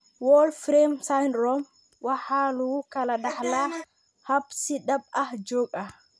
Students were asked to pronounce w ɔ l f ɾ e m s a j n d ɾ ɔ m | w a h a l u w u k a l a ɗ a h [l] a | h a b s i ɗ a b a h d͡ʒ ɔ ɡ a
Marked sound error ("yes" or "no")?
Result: no